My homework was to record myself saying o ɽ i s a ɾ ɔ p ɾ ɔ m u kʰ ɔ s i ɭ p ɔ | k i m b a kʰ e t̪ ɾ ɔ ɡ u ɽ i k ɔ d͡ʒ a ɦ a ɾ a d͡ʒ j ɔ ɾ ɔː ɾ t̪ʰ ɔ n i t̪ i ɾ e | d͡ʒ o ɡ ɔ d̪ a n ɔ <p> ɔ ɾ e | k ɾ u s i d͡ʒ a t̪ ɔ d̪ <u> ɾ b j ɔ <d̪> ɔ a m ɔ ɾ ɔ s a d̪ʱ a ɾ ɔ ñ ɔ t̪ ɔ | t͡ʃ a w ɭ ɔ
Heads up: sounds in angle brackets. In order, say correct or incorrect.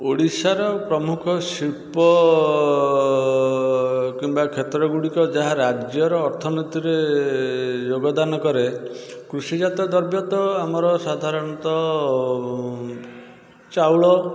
incorrect: k, incorrect: ɔ, incorrect: t̪

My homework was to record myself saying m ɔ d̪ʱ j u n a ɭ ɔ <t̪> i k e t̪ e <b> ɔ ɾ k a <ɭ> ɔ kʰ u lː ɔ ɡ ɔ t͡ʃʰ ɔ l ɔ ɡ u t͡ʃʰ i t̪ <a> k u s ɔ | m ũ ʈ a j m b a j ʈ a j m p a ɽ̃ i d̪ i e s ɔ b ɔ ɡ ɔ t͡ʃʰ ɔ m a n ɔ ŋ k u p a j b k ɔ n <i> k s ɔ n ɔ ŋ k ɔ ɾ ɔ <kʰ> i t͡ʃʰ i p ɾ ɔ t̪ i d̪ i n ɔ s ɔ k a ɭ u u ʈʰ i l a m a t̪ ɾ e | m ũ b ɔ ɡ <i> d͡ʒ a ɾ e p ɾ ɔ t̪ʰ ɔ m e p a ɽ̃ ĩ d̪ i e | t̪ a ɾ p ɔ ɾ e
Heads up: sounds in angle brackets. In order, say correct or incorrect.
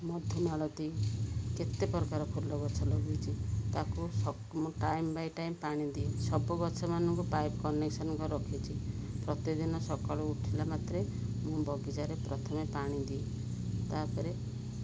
correct, incorrect: p, incorrect: ɾ, correct, incorrect: e, correct, correct

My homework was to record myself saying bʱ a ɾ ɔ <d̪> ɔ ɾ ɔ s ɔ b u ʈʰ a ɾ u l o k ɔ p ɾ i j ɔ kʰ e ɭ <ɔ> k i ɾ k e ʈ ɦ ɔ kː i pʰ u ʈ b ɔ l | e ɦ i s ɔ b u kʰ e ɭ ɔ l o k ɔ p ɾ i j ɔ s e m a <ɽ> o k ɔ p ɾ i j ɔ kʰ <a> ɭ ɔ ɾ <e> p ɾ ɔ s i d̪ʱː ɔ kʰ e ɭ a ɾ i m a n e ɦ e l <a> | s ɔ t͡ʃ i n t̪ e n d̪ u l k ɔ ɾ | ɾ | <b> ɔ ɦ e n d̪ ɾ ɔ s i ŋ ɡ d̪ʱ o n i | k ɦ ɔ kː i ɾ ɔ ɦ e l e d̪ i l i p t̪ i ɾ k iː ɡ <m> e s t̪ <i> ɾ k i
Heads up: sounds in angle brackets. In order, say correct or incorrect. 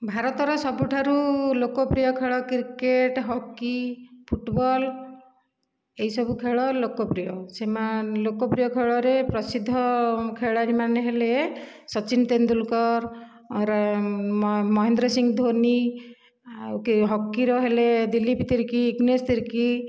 incorrect: t̪, correct, incorrect: l, incorrect: e, correct, incorrect: e, incorrect: m, incorrect: n, correct

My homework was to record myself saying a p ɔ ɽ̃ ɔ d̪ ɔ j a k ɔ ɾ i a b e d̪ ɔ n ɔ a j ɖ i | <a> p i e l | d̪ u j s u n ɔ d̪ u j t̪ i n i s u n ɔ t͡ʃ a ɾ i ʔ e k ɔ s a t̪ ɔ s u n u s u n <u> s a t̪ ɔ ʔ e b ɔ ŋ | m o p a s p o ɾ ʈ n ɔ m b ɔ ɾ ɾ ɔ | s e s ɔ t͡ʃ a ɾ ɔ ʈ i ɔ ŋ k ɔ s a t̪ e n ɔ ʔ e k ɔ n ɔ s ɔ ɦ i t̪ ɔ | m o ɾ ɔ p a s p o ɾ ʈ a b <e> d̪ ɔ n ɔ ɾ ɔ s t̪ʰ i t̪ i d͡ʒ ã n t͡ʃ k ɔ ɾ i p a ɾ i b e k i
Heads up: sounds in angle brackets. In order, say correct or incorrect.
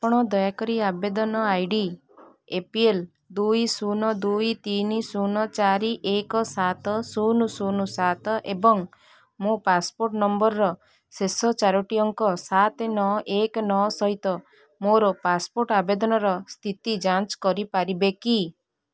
incorrect: e, correct, correct

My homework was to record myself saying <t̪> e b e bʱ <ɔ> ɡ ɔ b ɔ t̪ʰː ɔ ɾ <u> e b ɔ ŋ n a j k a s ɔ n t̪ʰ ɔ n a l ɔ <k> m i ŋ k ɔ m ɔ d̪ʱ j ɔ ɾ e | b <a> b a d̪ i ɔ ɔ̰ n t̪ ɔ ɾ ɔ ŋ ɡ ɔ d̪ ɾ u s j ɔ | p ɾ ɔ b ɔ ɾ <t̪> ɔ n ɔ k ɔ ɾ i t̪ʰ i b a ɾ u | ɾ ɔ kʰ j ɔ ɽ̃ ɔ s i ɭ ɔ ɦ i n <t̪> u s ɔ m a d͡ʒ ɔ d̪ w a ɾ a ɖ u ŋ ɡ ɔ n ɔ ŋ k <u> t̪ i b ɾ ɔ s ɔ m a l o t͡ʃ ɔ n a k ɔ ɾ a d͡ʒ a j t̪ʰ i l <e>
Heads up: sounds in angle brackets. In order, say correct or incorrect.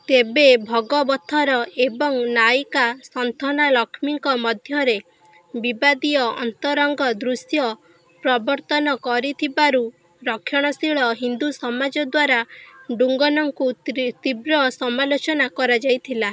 correct, correct, incorrect: ɔ, incorrect: kʰ, incorrect: i, correct, incorrect: d̪, correct, incorrect: a

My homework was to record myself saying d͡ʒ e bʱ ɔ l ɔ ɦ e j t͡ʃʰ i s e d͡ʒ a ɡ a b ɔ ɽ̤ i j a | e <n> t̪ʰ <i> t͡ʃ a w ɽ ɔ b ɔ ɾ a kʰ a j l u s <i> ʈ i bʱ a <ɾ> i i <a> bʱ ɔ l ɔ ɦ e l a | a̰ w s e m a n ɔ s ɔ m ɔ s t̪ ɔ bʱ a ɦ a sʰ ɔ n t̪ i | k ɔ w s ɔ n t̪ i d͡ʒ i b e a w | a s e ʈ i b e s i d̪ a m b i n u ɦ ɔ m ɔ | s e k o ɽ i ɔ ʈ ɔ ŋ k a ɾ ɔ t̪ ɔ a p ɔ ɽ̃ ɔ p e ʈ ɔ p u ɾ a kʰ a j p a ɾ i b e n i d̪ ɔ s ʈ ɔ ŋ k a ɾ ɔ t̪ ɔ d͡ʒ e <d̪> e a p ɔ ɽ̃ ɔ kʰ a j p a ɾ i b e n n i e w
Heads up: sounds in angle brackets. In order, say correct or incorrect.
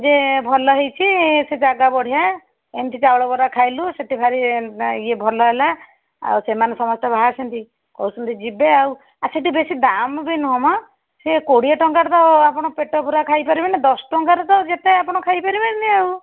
correct, correct, incorrect: e, correct, incorrect: e, incorrect: t̪

